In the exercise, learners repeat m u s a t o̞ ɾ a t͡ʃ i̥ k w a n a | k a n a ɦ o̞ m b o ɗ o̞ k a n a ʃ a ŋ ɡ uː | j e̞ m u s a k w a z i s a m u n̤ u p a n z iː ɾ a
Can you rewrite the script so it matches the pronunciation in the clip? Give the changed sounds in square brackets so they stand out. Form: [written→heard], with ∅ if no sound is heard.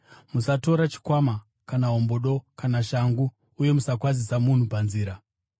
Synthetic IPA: m u s a t o̞ ɾ a t͡ʃ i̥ k w a [n→m] a | k a n a ɦ o̞ m b o ɗ o̞ k a n a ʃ a ŋ ɡ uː | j e̞ m u s a k w a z i s a m u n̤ u p a n z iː ɾ a